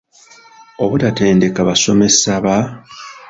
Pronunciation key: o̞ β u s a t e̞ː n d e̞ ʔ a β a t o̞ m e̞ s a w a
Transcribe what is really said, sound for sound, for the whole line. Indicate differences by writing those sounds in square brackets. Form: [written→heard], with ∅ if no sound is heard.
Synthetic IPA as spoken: o̞ β u [s→t] a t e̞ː n d e̞ [ʔ→k] a β a [t→s] o̞ m e̞ s a [w→β] a